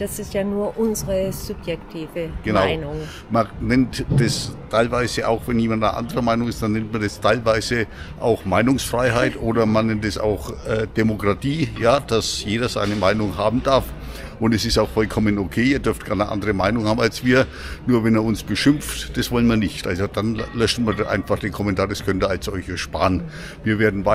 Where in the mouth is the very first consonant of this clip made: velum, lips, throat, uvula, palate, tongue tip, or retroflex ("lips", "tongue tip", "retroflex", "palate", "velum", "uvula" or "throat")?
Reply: tongue tip